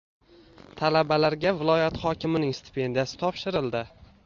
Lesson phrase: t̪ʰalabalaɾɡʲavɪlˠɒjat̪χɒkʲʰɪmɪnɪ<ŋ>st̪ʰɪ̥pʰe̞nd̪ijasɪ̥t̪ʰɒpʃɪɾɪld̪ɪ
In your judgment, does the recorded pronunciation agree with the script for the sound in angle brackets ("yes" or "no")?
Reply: yes